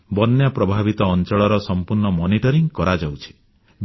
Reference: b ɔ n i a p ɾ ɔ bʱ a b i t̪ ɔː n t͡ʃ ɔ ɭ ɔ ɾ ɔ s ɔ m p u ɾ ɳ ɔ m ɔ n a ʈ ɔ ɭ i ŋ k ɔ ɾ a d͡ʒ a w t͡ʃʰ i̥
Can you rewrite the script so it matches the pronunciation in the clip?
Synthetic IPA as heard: b ɔ n j a p ɾ ɔ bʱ a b i t̪ ɔː n t͡ʃ ɔ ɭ ɔ ɾ ɔ s ɔ m p u ɾ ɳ ɔ m ɔ n i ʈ ɔ ɾ i ŋ k ɔ ɾ a d͡ʒ a w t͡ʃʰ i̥